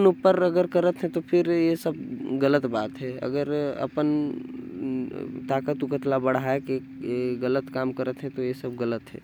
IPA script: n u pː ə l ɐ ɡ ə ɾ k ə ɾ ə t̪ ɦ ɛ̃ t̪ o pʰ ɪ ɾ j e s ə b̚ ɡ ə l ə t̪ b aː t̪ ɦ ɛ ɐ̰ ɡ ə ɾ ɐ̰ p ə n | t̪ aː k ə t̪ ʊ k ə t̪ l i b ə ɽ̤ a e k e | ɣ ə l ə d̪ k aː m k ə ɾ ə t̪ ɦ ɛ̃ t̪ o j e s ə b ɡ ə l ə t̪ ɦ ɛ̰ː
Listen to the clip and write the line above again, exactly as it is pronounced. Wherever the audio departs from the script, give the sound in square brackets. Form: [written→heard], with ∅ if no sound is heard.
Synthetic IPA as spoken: n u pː ə [l→ɾ] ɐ ɡ ə ɾ k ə ɾ ə t̪ ɦ ɛ̃ t̪ o pʰ ɪ ɾ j e s ə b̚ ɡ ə l ə t̪ b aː t̪ ɦ ɛ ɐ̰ ɡ ə ɾ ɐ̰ p ə n | t̪ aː k ə t̪ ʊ k ə t̪ l [i→a] b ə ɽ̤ a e k e | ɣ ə l ə [d̪→t̪] k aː m k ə ɾ ə t̪ ɦ ɛ̃ t̪ o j e s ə b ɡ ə l ə t̪ ɦ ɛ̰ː